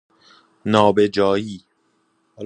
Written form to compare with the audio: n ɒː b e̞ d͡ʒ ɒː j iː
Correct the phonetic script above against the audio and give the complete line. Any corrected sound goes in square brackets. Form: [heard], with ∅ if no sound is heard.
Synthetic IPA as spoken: n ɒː b e̞ d͡ʒ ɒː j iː